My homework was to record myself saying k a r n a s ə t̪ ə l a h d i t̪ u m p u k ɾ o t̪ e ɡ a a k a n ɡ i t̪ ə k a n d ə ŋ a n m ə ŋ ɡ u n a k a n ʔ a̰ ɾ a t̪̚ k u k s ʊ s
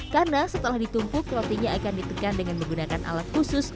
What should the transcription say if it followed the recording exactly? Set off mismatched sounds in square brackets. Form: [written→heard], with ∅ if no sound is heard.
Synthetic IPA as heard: k a r n a s ə t̪ ə l a h d i t̪ u m p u k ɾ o t̪ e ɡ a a k a n [ɡ→d] i t̪ ə k a n d ə ŋ a n m ə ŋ ɡ u n a k a n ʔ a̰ [ɾ→l] a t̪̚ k u [k→∅] s ʊ s